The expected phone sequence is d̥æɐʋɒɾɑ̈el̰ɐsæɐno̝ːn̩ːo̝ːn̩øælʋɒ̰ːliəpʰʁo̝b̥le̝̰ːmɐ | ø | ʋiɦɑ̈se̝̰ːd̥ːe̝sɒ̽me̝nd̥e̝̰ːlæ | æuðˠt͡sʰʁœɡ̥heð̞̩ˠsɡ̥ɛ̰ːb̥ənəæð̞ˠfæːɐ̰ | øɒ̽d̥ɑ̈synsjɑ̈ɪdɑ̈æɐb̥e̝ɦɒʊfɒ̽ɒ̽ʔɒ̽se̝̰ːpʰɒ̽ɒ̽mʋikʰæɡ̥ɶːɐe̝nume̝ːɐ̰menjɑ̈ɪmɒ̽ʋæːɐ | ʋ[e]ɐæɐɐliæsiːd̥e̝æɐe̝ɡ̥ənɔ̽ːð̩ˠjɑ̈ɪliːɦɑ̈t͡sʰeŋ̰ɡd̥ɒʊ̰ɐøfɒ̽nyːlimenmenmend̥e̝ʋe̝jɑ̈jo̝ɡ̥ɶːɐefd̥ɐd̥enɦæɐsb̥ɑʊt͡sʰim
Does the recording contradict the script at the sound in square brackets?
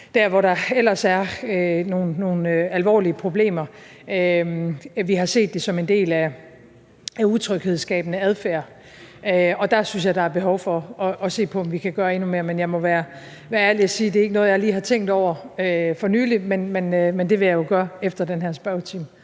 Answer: yes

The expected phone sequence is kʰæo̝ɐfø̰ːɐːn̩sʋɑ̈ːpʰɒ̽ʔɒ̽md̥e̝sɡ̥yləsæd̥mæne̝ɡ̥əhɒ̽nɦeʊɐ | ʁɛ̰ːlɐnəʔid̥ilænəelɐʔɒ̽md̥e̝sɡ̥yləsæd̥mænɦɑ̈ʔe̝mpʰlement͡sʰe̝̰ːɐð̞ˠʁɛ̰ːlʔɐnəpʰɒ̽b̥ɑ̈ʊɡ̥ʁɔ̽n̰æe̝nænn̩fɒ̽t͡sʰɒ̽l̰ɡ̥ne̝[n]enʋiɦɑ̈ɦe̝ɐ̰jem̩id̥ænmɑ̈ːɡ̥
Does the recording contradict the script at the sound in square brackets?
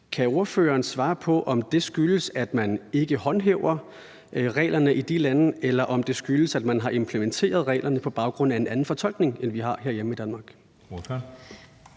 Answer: yes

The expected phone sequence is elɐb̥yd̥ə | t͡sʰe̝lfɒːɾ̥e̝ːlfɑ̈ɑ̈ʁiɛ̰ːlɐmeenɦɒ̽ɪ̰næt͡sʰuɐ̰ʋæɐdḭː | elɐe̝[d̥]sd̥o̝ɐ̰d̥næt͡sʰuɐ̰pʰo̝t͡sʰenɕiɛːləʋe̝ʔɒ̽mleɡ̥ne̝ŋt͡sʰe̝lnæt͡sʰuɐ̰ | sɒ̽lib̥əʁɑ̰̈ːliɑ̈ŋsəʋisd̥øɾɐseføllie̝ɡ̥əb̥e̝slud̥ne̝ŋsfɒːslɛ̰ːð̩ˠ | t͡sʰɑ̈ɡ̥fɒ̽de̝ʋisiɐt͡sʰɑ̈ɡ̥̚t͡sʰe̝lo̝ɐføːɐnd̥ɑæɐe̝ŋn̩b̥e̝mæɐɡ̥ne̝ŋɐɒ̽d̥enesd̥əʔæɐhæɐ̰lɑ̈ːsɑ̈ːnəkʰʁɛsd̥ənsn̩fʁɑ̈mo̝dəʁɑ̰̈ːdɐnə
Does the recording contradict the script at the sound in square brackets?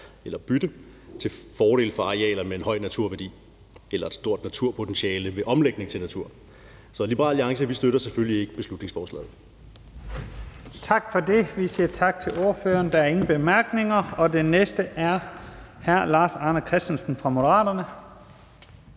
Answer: no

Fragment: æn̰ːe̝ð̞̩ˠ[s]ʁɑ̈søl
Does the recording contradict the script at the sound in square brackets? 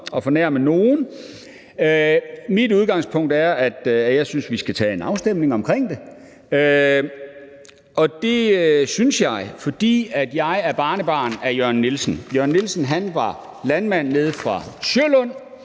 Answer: yes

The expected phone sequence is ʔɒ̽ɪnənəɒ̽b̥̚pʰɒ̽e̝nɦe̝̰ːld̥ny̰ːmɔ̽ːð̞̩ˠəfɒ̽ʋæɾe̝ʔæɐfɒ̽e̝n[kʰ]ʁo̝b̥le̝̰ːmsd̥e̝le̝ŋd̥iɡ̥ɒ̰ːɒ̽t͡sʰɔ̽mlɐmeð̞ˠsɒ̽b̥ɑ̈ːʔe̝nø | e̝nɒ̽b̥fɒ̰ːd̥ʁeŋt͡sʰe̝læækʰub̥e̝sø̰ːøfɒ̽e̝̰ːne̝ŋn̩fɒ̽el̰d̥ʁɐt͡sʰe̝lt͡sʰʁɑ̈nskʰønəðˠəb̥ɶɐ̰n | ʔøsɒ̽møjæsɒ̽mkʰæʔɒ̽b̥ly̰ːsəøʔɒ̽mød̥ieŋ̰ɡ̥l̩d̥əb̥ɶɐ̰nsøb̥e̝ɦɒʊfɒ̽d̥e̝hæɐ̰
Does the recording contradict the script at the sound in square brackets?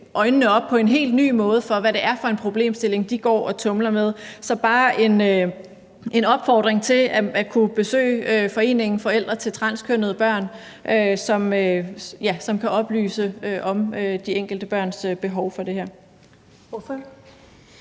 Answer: yes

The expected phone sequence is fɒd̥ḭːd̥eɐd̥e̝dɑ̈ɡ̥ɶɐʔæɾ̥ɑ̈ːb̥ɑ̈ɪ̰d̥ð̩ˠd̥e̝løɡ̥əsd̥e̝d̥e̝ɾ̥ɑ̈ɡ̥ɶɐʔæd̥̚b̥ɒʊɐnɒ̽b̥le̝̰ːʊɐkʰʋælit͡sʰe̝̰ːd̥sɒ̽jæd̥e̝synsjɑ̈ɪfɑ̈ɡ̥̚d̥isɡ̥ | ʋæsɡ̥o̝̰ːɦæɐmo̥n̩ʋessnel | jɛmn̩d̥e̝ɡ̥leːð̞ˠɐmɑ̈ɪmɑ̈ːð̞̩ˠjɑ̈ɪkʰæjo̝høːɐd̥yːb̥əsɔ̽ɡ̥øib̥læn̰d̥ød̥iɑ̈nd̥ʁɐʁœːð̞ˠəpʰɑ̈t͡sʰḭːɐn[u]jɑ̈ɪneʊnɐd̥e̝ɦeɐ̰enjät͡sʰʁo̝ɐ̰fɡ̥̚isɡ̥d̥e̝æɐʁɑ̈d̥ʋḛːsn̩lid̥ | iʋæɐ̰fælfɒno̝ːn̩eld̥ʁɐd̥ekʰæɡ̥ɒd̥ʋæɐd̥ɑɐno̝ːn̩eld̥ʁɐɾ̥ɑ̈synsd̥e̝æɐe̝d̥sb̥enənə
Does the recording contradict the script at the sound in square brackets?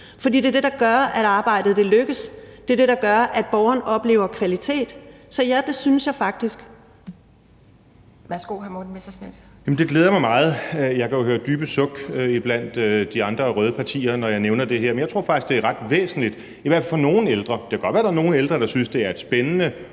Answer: yes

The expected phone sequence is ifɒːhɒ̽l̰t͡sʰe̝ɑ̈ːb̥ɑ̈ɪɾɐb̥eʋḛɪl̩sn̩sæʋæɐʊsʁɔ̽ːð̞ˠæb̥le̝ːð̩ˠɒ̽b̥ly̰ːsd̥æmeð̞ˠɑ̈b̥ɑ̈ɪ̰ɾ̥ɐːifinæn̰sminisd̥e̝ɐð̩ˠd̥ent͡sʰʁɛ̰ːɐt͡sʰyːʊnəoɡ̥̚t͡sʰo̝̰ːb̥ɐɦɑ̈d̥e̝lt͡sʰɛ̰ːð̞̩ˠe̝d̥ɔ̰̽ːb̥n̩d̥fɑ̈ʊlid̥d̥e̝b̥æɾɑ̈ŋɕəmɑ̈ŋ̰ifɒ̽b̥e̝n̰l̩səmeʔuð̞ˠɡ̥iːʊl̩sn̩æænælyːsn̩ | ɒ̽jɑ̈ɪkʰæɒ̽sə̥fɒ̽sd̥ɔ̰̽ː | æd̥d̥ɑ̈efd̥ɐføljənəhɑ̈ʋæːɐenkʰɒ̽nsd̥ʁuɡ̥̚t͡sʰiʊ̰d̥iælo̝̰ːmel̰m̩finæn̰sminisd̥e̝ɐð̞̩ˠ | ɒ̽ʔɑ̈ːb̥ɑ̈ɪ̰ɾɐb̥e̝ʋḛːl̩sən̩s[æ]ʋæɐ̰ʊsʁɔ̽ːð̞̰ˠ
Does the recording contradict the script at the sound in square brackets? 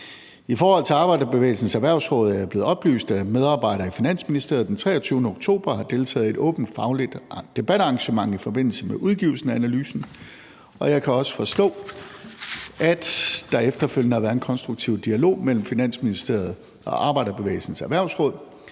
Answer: no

